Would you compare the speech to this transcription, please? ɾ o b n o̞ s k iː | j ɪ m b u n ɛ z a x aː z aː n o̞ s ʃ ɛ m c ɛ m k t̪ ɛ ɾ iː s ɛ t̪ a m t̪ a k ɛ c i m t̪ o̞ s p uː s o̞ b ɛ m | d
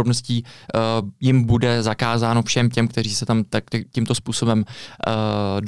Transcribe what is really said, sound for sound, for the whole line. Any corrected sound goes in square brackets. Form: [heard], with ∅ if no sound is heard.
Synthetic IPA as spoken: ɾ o b n o̞ s [c] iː | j ɪ m b u [d] ɛ z a [k] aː z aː n o̞ [f] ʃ ɛ m c ɛ m k t̪ ɛ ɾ iː s ɛ t̪ a m t̪ a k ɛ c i m t̪ o̞ s p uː s o̞ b ɛ m | d